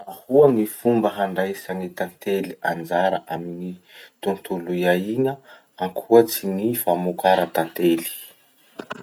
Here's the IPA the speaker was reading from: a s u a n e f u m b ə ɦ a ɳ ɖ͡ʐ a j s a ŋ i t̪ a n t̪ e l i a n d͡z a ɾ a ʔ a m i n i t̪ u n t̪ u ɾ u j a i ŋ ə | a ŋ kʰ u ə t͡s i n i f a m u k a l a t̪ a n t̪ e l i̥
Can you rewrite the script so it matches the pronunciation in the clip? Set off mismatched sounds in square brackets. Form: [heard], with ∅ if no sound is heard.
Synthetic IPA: a [h] u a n [i] f u m b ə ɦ a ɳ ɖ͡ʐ a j s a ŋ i t̪ a n t̪ e l i a n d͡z a ɾ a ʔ a m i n i t̪ u n t̪ u [l] u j a i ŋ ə | a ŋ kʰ u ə t͡s i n i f a m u k a [ɾ] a t̪ a n t̪ e l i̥